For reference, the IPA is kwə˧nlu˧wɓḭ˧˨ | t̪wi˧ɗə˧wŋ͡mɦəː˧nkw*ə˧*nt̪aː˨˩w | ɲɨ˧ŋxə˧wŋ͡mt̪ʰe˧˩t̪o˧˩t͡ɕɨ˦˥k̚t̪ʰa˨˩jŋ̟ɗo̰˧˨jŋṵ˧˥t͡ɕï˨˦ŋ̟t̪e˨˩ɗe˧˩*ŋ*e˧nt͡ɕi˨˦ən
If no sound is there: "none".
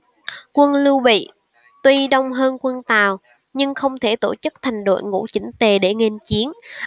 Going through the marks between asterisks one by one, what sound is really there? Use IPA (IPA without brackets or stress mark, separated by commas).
ə˧, ŋ